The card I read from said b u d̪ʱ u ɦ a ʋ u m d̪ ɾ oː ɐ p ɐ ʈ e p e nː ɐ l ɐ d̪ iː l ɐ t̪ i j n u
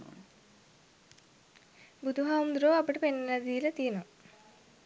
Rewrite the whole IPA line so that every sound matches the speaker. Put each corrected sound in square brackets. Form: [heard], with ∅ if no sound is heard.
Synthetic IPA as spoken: b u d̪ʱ u ɦ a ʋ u m d̪ ɾ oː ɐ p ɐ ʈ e p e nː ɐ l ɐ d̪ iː l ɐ t̪ i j n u